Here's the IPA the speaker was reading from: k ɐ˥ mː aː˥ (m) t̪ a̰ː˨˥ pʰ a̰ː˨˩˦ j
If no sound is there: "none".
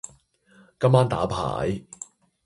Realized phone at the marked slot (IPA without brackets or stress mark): n